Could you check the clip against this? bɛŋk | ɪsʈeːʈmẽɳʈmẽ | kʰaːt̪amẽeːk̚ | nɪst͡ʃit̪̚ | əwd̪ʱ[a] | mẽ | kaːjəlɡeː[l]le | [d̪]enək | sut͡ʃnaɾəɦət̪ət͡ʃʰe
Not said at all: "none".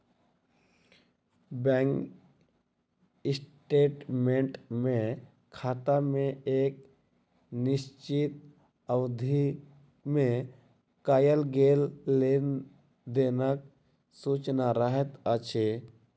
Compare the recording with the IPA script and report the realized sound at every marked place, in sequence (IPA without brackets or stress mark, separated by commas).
i, l, d̪